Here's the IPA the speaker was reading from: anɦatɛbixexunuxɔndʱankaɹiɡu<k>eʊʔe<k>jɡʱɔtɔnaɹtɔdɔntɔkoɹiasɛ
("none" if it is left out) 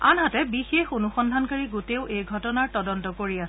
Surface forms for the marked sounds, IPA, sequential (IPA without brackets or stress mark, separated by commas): t, none